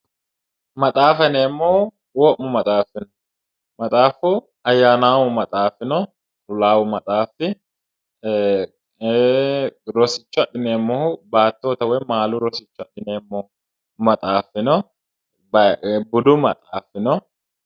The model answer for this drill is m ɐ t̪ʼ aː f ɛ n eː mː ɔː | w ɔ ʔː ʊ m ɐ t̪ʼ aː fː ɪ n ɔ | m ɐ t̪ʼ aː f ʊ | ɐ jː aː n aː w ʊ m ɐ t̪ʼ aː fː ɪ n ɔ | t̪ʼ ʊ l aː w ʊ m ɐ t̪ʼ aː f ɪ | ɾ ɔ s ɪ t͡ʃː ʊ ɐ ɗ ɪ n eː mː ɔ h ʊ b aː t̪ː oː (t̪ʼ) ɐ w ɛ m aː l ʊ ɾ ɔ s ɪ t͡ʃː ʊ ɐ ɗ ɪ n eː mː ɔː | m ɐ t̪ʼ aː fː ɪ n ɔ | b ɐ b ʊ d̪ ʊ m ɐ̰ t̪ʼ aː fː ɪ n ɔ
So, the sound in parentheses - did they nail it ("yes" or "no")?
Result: no